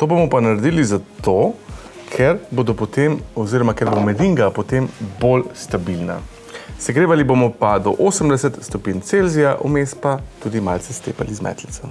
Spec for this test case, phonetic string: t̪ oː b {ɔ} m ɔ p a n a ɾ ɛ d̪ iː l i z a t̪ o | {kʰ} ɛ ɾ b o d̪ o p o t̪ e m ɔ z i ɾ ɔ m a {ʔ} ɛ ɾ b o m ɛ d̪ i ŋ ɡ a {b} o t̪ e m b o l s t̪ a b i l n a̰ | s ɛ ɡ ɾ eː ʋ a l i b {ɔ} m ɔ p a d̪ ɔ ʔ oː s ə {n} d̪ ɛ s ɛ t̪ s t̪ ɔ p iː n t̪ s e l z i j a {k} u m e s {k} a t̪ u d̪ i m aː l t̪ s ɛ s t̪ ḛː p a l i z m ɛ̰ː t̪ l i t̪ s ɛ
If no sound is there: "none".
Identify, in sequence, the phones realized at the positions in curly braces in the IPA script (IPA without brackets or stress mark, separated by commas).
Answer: o, kʰ, k, p, o, m, ʔ, p